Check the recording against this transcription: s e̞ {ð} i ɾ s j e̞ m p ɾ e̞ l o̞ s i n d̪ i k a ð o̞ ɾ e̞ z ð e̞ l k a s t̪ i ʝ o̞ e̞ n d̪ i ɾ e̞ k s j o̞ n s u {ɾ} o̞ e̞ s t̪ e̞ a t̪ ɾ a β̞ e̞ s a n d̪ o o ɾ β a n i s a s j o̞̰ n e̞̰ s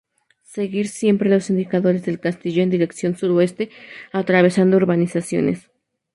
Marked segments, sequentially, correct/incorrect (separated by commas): incorrect, correct